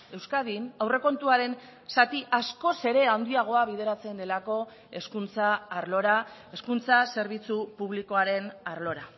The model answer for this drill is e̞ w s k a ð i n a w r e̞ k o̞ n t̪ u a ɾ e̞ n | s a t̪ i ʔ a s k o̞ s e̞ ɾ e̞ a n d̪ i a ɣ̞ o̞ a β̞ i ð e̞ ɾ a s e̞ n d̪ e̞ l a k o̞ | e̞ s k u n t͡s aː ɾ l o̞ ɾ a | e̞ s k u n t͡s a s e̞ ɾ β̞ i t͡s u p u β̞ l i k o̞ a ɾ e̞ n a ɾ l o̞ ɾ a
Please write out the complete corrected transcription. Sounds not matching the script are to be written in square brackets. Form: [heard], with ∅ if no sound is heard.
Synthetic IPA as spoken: e̞ w s k a ð i n a w r e̞ k o̞ n t̪ u a ɾ e̞ n | s a t̪ i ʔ a s k o̞ s e̞ ɾ e̞ a n d̪ i a ɣ̞ o̞ a β̞ i ð e̞ ɾ a [t͡s] e̞ n d̪ e̞ l a k o̞ | e̞ s k u n t͡s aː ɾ l o̞ ɾ a | e̞ s k u n t͡s a s e̞ ɾ β̞ i t͡s u p u β̞ l i k o̞ a ɾ e̞ n a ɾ l o̞ ɾ a